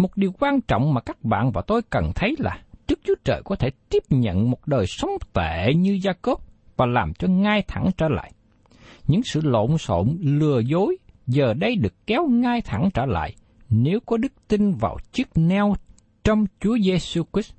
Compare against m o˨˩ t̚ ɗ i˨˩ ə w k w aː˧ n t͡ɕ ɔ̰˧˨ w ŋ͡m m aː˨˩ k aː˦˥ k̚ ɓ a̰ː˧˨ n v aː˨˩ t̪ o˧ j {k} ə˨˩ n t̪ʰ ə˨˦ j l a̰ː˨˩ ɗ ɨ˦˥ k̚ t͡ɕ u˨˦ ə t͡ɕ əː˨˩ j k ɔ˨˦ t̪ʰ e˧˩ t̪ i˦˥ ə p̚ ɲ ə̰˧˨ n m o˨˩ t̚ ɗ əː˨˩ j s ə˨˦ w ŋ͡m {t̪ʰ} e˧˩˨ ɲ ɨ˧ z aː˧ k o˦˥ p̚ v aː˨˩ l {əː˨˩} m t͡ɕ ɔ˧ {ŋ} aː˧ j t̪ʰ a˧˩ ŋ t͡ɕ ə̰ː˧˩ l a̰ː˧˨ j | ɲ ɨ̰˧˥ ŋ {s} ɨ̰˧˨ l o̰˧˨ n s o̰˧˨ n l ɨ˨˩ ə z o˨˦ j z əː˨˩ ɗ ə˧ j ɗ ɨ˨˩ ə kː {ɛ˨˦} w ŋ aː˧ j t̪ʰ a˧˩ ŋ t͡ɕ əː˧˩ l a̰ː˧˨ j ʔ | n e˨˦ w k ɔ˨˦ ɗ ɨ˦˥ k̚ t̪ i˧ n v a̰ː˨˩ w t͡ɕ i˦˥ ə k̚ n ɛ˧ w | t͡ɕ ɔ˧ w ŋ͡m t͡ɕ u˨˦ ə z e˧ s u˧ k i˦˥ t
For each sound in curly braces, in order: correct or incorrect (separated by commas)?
correct, incorrect, incorrect, correct, correct, correct